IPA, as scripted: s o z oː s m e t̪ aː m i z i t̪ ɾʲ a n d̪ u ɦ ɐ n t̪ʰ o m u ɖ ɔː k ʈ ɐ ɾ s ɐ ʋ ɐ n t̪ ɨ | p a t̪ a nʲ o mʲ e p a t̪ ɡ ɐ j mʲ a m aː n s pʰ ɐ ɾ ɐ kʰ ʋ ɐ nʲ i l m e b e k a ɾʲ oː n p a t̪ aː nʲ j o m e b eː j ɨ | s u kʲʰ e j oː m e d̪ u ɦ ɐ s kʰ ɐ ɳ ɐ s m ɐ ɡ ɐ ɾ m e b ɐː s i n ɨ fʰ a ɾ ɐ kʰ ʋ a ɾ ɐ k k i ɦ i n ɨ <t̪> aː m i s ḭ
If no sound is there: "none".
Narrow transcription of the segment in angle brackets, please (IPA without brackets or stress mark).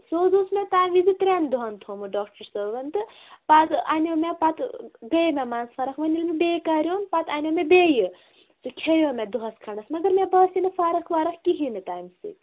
t̪